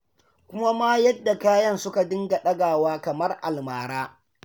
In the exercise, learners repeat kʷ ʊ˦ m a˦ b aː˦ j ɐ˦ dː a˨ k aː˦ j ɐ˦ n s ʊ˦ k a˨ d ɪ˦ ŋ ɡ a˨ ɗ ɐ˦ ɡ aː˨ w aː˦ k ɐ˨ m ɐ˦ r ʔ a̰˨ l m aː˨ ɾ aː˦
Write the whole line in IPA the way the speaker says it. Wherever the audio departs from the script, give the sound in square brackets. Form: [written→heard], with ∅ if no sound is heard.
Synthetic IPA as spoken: kʷ ʊ˦ m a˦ [b→m] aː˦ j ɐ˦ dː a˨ k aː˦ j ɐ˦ n s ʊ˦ k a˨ d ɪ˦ ŋ ɡ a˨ ɗ ɐ˦ ɡ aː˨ w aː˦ k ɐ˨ m ɐ˦ r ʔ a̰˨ l m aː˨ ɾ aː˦